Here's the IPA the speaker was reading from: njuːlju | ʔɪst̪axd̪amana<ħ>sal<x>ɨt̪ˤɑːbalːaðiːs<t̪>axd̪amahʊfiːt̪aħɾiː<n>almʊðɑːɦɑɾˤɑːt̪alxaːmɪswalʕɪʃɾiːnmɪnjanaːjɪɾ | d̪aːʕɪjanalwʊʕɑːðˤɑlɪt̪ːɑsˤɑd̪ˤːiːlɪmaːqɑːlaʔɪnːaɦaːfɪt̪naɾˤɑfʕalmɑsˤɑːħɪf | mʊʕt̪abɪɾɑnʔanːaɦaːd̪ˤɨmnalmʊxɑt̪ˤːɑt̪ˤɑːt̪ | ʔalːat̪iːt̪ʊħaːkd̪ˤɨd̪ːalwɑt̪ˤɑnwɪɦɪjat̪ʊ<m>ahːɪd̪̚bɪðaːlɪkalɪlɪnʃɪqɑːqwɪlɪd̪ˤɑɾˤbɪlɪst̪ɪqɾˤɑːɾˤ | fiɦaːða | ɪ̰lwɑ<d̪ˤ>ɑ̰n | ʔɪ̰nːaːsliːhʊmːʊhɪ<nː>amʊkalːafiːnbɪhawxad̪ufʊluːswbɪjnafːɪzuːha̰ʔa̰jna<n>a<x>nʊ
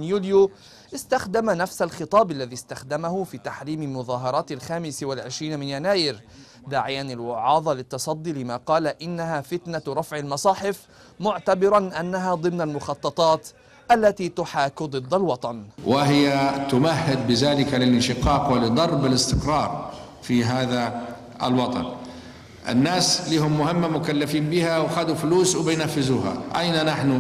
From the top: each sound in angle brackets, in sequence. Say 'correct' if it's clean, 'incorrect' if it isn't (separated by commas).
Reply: incorrect, correct, correct, incorrect, correct, incorrect, incorrect, correct, incorrect